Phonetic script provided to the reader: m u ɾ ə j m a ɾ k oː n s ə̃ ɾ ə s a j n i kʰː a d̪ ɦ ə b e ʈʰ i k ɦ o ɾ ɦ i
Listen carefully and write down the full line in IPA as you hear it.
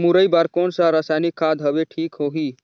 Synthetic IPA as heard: m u ɾ ə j b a ɾ k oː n s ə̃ ɾ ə s a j n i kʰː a d̪ ɦ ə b e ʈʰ i k ɦ o ɦ i